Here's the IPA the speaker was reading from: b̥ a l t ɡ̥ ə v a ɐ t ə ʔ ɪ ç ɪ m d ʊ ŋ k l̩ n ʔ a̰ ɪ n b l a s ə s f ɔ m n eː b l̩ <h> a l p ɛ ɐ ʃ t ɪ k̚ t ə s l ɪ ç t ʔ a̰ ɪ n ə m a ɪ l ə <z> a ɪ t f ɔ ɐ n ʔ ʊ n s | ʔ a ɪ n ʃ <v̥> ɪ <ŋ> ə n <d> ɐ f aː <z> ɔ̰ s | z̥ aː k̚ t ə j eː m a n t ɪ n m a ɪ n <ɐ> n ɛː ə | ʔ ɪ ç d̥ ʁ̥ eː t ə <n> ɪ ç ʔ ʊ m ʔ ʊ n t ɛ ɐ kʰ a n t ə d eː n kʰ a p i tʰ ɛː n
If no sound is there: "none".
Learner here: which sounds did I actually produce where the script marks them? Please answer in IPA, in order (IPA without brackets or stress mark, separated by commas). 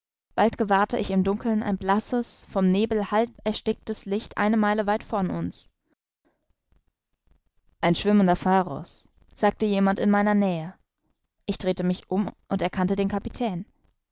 h, v, v̥, m, d, ʁ, ɐ, m